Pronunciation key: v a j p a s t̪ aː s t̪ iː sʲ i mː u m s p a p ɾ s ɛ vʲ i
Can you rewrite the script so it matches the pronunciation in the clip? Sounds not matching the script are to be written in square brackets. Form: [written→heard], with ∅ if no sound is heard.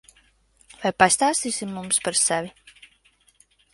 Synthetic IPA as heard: v a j p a s t̪ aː s t̪ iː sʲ i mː u m s p a [p→∅] ɾ s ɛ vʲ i